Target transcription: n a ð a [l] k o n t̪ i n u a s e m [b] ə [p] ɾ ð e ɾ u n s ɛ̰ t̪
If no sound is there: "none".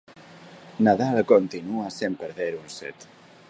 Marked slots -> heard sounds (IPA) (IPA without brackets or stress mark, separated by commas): l, p, none